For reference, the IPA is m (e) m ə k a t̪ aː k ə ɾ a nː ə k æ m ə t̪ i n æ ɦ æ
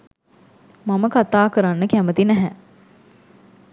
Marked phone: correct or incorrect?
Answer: incorrect